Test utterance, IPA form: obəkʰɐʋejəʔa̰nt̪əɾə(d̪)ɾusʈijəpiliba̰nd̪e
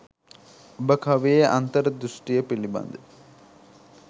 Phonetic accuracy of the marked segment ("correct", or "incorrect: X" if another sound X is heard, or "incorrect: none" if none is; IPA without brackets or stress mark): correct